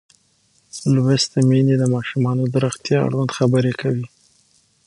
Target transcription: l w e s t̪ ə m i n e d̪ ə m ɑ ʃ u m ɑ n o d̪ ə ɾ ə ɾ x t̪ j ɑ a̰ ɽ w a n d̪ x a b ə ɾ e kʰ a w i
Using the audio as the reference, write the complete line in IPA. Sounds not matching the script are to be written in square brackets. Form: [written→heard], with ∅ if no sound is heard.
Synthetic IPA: l w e s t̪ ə m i n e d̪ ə m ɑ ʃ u m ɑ n o d̪ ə ɾ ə [ɾ→∅] x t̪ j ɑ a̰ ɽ w a n d̪ x a b ə ɾ e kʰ a w i